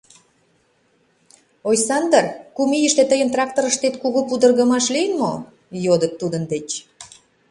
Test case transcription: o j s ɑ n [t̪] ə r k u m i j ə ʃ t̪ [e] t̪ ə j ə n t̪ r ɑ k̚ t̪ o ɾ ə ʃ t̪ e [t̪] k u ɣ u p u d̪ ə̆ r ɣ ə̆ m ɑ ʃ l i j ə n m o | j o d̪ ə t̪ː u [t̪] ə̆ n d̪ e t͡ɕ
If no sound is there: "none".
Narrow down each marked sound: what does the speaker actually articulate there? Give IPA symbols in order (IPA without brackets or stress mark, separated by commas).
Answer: d̪, e, t̪, d̪